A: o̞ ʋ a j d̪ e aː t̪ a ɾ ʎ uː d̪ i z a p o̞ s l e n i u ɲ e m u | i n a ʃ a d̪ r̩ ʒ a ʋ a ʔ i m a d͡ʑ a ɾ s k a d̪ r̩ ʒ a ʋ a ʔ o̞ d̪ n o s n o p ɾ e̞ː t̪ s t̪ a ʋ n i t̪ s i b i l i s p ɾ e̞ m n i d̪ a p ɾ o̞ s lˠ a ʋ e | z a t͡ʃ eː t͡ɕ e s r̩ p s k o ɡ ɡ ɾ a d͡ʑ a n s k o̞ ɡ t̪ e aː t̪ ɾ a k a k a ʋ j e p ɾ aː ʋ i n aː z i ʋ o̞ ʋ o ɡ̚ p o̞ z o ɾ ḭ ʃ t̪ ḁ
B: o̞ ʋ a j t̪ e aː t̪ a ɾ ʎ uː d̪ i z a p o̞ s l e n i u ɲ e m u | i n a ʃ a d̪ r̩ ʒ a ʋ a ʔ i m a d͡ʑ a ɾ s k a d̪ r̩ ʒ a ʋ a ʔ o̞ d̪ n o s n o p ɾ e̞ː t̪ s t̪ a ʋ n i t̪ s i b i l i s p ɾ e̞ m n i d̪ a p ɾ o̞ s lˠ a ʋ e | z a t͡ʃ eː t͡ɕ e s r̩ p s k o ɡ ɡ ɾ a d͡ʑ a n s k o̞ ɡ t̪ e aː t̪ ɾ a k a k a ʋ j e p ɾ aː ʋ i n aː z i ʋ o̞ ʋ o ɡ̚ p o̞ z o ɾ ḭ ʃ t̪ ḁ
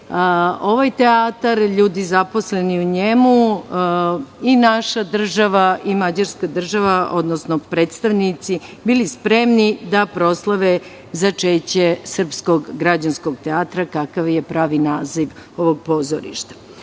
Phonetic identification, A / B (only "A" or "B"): B